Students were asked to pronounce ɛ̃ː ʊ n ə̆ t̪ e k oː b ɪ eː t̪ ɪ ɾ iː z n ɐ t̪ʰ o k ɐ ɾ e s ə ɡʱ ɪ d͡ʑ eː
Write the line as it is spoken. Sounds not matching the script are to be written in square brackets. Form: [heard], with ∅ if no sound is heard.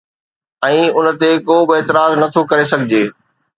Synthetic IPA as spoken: ɛ̃ː ʊ n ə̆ t̪ e k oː b ɪ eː t̪ ɪ ɾ [aː] z n ɐ t̪ʰ o k ɐ ɾ e s [ɐ] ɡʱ ɪ d͡ʑ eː